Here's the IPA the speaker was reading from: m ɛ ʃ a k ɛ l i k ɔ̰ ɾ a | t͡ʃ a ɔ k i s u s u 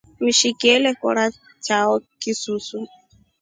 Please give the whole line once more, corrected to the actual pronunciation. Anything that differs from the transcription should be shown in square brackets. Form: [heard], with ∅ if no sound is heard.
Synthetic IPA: m [i] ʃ [i] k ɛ l [ɛ] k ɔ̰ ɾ a | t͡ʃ a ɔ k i s u s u